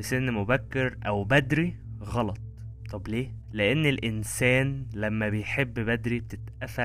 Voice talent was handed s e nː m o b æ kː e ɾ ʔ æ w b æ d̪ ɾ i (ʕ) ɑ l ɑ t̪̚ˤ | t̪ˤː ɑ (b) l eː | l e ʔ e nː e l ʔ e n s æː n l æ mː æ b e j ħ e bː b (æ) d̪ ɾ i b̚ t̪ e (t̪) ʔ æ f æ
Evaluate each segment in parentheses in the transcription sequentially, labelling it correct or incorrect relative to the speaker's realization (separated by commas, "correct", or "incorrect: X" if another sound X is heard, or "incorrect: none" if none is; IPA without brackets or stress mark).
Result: incorrect: ɣ, correct, correct, correct